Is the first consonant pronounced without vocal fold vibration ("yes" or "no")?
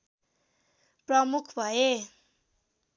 yes